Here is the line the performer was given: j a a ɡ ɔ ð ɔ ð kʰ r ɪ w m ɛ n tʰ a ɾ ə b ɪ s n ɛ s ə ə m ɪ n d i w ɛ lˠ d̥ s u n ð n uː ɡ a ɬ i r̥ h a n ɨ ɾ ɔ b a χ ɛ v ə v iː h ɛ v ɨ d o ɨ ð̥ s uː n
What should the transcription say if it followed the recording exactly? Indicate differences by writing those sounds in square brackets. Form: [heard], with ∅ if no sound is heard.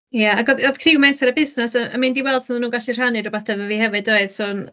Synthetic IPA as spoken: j a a ɡ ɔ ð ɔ ð kʰ r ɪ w m ɛ n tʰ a ɾ ə b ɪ s n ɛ s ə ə m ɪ n d i w ɛ lˠ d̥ s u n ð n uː ɡ a ɬ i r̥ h a n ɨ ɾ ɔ b a [θ] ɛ v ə v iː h ɛ v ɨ d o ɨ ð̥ s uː n